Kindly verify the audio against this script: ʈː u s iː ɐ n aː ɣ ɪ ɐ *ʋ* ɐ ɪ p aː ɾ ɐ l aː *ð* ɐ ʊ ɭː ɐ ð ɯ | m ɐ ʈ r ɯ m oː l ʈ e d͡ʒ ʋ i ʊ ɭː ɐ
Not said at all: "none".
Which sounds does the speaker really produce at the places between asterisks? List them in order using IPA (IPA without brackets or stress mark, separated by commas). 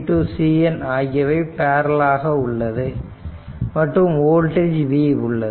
ʋ, ɣ